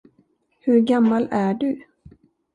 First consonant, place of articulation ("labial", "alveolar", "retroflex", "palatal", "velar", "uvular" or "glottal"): glottal